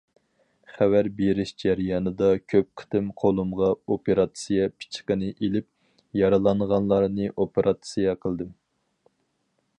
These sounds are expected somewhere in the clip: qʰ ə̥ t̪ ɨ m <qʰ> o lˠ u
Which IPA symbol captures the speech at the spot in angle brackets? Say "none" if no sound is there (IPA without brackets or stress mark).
qʰ